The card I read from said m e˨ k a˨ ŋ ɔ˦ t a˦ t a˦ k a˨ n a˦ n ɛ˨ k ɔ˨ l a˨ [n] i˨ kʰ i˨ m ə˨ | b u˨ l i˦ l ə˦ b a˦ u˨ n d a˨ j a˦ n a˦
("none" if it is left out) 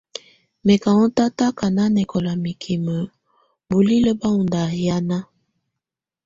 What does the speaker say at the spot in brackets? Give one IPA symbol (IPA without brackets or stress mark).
m